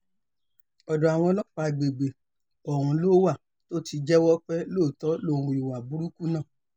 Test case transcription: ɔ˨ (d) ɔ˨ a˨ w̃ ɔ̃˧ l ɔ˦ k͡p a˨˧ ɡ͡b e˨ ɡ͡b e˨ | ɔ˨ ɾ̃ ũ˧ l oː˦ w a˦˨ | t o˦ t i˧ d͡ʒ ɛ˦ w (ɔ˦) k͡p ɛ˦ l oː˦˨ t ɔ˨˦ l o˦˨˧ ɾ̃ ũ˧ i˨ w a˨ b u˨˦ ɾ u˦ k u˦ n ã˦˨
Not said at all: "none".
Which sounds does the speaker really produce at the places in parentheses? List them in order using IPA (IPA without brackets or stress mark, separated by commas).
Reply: d, ɔ˦